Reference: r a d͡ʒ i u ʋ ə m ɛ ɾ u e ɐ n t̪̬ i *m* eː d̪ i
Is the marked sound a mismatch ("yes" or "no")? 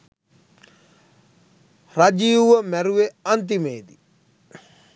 no